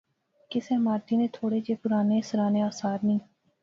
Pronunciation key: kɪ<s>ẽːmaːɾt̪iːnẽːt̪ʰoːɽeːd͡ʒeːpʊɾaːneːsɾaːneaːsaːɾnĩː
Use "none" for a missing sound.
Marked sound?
s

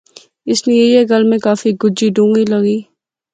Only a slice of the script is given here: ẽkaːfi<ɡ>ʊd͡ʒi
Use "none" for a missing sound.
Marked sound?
ɡ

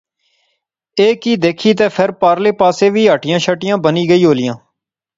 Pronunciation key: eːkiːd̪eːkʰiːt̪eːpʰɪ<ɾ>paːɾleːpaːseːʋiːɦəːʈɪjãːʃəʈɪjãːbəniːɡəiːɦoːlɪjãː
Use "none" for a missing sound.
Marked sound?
ɾ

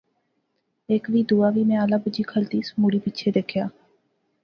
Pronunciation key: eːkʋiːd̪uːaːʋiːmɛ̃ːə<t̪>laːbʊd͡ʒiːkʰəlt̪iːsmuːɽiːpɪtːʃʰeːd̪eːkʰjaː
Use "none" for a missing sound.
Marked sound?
none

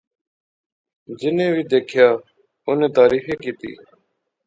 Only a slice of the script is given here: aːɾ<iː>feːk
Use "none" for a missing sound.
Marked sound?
iː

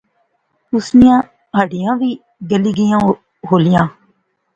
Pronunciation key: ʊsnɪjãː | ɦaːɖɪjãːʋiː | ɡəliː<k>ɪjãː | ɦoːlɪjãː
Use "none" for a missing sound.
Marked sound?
ɡ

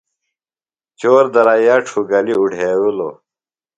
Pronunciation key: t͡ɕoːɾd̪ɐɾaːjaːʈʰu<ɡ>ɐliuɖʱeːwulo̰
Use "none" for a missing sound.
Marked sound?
ɡ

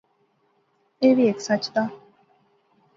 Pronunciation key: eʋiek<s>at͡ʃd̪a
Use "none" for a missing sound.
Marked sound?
s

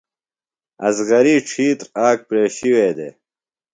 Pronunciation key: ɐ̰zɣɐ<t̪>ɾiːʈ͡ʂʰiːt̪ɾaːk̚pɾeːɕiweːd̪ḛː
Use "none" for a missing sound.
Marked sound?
none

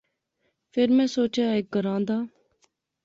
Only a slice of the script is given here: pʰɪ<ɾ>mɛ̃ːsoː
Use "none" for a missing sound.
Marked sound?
ɾ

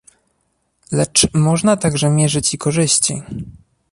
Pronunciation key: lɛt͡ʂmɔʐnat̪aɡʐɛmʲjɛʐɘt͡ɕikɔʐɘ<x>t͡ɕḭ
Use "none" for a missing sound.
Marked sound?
ɕ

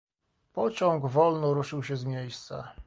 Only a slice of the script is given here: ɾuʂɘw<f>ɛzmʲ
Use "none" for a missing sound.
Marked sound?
ɕ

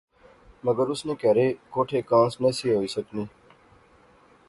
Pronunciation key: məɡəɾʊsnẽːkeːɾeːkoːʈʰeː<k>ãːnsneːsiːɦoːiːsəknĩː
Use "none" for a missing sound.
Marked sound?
k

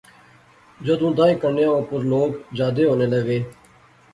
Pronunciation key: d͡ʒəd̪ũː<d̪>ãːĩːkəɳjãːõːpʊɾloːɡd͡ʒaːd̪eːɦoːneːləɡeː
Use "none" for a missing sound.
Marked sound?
d̪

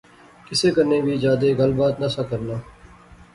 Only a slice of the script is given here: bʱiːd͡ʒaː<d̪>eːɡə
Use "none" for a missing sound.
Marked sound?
d̪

